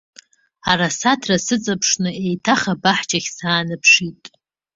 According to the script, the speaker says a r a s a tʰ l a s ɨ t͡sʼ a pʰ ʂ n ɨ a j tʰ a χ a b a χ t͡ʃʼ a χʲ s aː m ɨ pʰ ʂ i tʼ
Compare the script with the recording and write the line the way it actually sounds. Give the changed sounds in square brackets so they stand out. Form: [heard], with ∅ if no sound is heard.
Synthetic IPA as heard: a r a s a tʰ [r] a s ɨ t͡sʼ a pʰ ʂ n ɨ [e] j tʰ a χ a b a [ħ] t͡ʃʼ a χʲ s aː [n] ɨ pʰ ʂ i tʼ